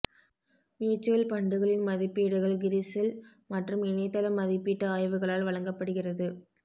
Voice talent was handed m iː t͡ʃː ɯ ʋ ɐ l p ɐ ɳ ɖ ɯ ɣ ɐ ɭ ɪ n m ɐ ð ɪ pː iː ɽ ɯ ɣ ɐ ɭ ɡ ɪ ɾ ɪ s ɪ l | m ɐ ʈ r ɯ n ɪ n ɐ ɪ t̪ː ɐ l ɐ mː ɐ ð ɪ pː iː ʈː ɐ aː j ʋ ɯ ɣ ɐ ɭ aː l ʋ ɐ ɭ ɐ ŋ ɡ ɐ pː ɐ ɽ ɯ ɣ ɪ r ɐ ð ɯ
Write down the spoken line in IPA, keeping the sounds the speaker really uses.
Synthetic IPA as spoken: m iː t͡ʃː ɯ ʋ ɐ l p ɐ ɳ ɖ ɯ ɣ ɐ ɭ ɪ n m ɐ ð ɪ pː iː ɽ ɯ ɣ ɐ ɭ ɡ ɪ ɾ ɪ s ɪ l | m ɐ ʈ r ɯ m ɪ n ɐ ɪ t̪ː ɐ l ɐ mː ɐ ð ɪ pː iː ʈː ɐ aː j ʋ ɯ ɣ ɐ ɭ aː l ʋ ɐ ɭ ɐ ŋ ɡ ɐ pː ɐ ɽ ɯ ɣ ɪ r ɐ ð ɯ